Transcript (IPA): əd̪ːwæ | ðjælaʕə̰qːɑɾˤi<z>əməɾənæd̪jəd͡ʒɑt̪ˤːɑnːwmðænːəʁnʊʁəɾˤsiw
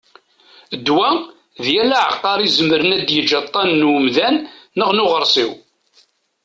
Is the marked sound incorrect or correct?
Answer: correct